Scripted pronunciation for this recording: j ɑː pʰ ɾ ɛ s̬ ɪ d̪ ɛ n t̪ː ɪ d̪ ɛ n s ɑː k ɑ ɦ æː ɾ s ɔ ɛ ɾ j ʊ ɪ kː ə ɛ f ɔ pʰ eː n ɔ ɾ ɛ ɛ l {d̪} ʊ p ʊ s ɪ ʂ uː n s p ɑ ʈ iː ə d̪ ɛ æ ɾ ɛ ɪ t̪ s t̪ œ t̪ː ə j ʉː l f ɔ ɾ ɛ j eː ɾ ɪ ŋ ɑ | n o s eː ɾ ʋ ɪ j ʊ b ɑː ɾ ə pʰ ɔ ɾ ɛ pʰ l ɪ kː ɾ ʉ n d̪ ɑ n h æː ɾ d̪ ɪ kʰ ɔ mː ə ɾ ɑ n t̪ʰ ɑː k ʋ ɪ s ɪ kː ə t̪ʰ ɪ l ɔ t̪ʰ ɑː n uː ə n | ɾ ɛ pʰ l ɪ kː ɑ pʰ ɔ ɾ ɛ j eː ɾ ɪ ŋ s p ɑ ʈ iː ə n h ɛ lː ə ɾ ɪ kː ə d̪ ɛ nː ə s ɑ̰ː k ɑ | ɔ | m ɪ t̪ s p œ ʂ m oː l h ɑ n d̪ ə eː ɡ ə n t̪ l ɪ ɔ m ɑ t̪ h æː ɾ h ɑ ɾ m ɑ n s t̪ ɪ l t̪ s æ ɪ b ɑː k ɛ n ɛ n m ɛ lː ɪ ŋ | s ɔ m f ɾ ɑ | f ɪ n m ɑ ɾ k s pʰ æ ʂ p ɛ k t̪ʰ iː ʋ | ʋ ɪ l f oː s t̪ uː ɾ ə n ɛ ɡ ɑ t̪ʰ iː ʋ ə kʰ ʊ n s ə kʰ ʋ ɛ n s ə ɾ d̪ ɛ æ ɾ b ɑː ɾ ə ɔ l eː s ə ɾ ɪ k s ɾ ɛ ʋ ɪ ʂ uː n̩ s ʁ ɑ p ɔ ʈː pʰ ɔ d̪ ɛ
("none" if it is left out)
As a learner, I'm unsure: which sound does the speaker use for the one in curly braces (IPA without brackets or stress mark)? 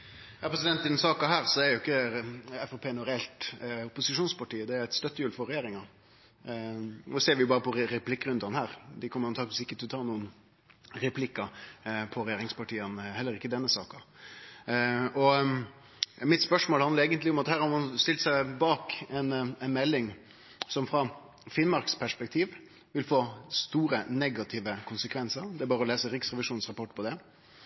t̪